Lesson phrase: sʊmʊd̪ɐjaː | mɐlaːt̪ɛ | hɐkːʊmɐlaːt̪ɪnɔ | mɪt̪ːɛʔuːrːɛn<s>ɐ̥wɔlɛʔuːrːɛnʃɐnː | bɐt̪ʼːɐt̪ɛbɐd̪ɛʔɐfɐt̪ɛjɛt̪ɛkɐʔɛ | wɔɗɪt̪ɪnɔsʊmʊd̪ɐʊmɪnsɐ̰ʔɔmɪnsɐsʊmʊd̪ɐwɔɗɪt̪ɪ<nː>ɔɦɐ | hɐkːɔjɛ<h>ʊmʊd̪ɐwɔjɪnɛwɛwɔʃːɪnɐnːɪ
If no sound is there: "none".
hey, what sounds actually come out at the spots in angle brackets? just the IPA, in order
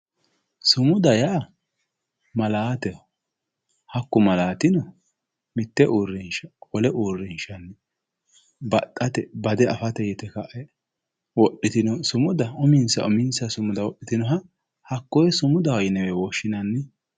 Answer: ʃ, n, s

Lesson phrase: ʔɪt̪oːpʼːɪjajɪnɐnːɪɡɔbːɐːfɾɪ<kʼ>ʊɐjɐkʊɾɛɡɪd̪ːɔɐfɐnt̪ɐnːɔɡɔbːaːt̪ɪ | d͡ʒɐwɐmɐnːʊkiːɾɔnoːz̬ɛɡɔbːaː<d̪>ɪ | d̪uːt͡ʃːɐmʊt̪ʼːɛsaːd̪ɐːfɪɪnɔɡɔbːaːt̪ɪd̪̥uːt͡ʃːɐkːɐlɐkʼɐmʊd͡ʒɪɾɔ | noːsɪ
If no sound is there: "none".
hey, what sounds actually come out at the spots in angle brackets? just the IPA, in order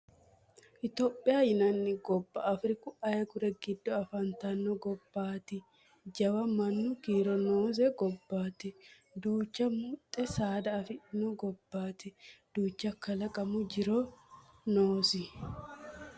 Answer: k, t̪

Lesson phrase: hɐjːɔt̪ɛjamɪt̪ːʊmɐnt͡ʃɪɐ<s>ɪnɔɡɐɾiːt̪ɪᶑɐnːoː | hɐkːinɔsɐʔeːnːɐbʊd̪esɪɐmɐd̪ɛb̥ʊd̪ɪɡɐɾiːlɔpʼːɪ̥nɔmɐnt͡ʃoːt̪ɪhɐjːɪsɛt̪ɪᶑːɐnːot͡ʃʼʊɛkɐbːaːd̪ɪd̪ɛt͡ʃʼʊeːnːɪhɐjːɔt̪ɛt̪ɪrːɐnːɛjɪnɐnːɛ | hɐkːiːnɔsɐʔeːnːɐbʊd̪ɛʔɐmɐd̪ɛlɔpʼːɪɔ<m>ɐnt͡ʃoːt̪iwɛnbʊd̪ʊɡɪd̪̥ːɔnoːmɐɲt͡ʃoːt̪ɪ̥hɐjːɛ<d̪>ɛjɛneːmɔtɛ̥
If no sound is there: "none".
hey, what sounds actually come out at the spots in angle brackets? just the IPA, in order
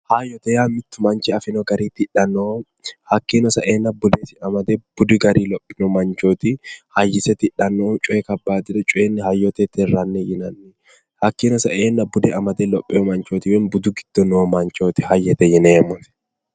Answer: f, m, t̪

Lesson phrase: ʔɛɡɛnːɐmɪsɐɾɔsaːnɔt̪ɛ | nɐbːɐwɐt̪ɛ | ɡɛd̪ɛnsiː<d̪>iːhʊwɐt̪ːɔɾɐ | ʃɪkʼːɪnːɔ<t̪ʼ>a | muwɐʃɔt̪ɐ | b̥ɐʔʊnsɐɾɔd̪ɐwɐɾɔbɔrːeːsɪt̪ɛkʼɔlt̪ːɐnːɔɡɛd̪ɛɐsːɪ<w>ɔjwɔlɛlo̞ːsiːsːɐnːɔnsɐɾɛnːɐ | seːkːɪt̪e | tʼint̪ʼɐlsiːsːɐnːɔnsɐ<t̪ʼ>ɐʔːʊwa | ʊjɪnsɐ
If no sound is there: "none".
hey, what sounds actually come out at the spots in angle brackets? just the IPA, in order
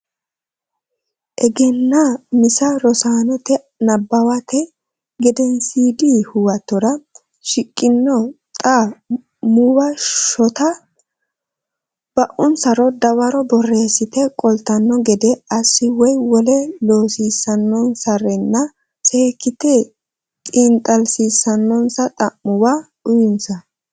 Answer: d̪, t̪ʼ, w, t̪ʼ

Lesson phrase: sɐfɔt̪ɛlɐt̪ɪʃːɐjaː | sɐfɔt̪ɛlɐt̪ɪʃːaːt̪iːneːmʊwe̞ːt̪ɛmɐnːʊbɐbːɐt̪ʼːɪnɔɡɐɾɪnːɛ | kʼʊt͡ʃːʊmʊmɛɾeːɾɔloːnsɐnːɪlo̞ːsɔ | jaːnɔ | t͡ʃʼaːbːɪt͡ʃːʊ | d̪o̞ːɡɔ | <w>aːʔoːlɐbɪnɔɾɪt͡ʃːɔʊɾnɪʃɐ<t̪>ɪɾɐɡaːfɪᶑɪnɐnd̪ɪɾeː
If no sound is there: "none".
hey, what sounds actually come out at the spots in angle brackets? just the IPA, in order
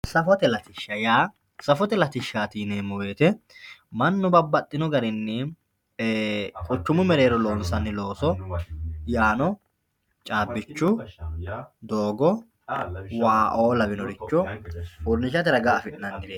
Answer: w, t̪

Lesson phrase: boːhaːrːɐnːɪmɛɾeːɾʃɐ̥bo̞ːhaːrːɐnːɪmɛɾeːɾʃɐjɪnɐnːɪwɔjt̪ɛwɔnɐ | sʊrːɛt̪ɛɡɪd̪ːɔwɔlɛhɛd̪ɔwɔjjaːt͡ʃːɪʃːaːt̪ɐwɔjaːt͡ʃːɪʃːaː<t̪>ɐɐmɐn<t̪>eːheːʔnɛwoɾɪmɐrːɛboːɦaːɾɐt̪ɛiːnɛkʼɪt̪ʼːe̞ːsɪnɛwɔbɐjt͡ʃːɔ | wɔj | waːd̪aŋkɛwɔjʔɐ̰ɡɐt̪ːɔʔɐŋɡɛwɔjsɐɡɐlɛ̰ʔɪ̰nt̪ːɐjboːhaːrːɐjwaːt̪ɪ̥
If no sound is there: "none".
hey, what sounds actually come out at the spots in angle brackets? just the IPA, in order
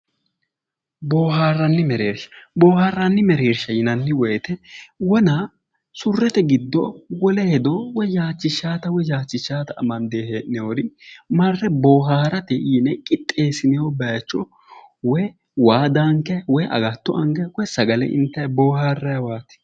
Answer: t̪, d̪

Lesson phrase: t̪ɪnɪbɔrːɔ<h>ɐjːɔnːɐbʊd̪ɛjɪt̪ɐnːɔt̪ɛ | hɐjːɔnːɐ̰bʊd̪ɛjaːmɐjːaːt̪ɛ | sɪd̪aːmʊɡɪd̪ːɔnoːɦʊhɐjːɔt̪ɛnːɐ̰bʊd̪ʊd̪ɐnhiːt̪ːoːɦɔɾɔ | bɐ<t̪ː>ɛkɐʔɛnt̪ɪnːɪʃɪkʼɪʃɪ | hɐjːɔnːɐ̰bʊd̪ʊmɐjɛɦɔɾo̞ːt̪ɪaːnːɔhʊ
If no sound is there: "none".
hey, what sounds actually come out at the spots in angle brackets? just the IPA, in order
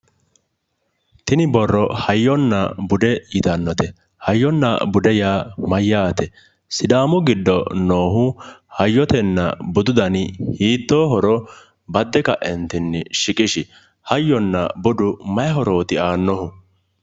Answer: h, d̪ː

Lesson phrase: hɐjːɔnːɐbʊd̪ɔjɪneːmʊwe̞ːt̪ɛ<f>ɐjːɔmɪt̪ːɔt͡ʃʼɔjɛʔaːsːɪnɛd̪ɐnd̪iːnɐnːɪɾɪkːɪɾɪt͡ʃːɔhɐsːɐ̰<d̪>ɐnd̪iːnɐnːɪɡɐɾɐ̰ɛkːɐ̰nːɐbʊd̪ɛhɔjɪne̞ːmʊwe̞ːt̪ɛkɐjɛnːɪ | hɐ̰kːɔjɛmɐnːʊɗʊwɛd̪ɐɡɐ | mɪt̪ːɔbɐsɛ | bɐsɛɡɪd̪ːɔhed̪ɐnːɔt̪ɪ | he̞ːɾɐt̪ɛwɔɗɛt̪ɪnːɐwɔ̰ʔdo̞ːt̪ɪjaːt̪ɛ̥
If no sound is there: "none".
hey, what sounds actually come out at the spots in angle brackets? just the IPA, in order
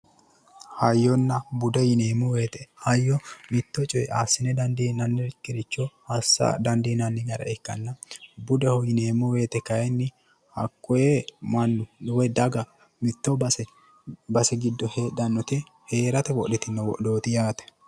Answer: h, d̪

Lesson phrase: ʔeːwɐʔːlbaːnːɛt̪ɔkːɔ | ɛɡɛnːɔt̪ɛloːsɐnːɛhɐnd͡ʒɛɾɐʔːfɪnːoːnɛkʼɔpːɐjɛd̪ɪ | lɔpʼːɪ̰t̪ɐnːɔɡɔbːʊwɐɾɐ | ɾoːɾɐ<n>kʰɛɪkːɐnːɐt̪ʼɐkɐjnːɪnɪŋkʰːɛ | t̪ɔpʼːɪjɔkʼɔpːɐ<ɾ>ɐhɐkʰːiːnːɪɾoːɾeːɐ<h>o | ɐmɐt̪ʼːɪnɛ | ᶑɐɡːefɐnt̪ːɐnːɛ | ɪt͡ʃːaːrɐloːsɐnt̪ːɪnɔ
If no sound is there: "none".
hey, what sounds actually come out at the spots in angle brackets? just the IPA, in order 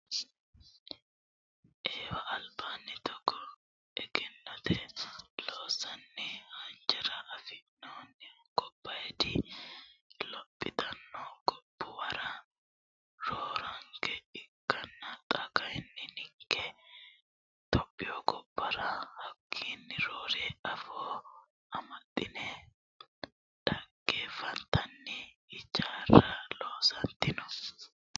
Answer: ŋ, ɾ, f

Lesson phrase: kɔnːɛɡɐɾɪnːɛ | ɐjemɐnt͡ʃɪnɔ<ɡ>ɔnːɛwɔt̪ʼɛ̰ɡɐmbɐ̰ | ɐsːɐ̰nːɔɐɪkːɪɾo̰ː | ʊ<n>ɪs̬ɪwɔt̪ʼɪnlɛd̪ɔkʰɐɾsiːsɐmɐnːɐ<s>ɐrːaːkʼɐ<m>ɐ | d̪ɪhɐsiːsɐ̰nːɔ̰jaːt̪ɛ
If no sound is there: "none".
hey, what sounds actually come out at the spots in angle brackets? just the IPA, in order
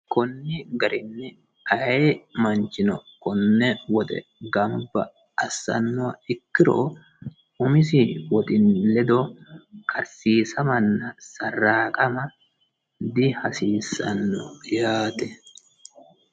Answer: k, m, s, m

